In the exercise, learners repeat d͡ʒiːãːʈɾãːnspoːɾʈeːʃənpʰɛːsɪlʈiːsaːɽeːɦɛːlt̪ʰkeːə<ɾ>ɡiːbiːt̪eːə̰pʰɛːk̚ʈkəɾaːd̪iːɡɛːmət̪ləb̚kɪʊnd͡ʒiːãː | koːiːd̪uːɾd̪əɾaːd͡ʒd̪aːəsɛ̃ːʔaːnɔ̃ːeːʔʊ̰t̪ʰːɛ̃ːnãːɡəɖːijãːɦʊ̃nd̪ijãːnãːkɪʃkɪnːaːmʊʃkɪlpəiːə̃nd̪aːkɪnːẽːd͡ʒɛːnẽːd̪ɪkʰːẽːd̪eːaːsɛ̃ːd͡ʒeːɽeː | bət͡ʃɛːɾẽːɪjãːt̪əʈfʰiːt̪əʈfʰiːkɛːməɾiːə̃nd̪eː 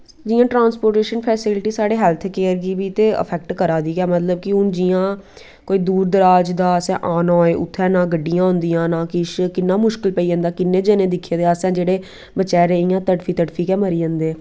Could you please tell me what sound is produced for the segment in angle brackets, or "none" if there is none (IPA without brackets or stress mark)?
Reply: ɾ